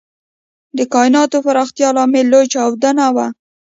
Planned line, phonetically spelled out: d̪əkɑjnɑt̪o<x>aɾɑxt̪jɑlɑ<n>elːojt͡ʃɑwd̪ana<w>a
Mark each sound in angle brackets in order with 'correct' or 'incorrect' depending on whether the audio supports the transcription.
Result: incorrect: f, incorrect: m, correct

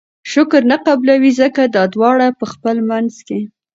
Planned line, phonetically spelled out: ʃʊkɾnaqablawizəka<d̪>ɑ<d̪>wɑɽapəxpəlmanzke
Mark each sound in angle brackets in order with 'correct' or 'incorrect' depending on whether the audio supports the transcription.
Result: correct, correct

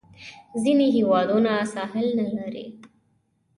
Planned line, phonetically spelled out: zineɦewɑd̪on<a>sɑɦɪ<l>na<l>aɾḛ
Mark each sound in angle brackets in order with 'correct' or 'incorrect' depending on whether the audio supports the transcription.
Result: correct, correct, correct

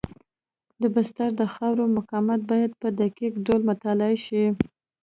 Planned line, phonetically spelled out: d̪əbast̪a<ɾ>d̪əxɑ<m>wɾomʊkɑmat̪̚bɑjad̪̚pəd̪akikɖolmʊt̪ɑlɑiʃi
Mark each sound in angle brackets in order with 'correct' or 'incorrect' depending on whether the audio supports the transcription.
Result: correct, incorrect: none

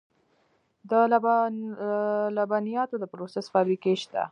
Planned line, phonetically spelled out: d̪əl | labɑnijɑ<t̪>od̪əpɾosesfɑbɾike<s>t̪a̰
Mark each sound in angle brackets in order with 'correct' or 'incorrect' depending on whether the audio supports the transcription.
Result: correct, incorrect: ʃ

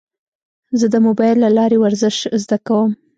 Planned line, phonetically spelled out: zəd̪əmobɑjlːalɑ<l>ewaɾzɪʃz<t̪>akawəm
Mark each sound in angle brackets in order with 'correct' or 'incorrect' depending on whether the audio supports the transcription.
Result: incorrect: ɾ, incorrect: d̪

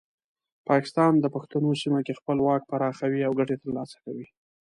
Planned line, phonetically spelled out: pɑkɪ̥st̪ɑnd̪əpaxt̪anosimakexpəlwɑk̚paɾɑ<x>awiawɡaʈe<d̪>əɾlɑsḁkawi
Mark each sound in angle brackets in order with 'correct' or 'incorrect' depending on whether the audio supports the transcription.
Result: correct, incorrect: t̪

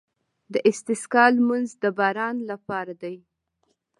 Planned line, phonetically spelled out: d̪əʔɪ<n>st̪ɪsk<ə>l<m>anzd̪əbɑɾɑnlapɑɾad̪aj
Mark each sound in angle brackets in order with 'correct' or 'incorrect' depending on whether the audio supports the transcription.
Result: incorrect: none, incorrect: ɑ, correct

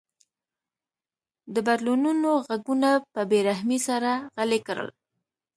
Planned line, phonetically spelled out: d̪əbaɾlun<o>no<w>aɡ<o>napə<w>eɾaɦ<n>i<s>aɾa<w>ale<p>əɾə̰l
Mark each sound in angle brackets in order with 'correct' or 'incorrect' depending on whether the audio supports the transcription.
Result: incorrect: u, incorrect: ɣ, incorrect: u, incorrect: b, incorrect: m, correct, incorrect: ɣ, incorrect: k

